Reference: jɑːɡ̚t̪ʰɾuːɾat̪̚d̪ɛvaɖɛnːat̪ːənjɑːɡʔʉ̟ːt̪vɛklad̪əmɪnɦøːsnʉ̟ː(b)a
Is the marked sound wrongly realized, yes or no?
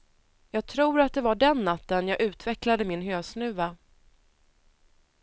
yes